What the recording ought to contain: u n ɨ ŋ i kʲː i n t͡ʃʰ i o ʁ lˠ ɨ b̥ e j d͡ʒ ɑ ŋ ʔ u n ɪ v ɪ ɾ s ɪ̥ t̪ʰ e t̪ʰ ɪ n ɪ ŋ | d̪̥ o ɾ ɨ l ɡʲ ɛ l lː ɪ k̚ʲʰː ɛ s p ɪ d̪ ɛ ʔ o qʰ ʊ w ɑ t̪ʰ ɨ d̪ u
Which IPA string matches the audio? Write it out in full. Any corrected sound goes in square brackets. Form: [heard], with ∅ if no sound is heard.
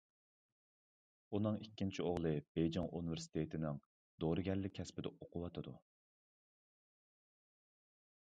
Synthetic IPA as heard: u n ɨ ŋ i kʲː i n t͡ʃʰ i o ʁ lˠ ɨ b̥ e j d͡ʒ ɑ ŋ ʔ u n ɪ v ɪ ɾ s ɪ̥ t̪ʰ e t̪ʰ ɪ n ɪ ŋ | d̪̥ o ɾ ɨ [∅] ɡʲ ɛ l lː ɪ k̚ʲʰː ɛ s p ɪ d̪ ɛ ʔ o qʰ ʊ w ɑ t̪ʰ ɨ d̪ u